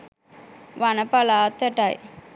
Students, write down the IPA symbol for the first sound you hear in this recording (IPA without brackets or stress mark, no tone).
ʋ